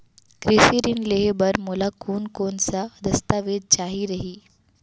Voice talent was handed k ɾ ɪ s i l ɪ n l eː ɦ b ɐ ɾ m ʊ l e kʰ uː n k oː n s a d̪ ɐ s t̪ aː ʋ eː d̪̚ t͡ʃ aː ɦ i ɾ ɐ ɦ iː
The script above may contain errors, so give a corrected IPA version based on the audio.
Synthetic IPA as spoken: k ɾ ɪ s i ɾ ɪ n l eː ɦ b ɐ ɾ m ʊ l a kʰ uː n k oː n s a d̪ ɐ s t̪ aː ʋ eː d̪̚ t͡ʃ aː ɦ i ɾ ɐ ɦ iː